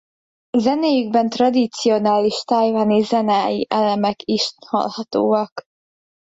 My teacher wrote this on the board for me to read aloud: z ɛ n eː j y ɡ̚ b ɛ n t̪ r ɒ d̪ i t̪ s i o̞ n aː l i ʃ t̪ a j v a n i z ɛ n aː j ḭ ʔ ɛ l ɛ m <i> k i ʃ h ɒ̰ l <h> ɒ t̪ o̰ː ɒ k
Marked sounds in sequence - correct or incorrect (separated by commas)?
incorrect, correct